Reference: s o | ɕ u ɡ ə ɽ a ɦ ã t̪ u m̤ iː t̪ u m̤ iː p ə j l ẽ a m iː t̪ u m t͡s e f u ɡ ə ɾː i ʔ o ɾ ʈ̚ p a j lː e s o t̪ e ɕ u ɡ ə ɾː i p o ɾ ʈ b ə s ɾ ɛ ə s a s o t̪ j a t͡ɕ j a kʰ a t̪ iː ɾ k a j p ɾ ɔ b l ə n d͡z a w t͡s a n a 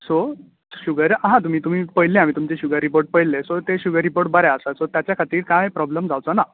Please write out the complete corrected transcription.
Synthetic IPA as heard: s o | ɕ u ɡ ə ɾ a ɦ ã t̪ u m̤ iː t̪ u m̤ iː p ə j l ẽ a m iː t̪ u m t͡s e ɕ u ɡ ə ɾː i p o ɾ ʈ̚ p ə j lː e s o t̪ e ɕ u ɡ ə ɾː i p o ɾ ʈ b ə ɾ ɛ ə s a s o t̪ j a t͡ɕ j a kʰ a t̪ iː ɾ k a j p ɾ ɔ b l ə m d͡z a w t͡s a n a